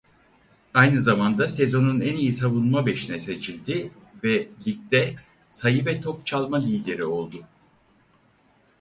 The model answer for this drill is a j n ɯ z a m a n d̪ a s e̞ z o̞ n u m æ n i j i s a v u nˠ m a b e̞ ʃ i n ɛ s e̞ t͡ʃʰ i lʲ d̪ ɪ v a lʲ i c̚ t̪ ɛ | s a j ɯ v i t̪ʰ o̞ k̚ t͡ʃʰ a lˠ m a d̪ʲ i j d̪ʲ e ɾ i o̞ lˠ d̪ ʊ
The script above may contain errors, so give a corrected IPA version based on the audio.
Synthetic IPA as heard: a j n ɯ z a m a n d̪ a s e̞ z o̞ n u n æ n i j i s a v u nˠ m a b e̞ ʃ i n ɛ s e̞ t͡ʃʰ i lʲ d̪ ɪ v ɛ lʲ i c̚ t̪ ɛ | s a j ɯ v ɛ t̪ʰ o̞ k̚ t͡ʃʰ a lˠ m a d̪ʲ i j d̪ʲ e ɾ i o̞ lˠ d̪ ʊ